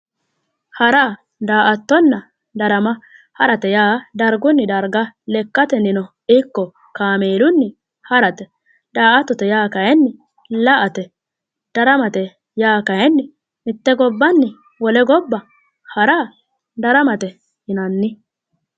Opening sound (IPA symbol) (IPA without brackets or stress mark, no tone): h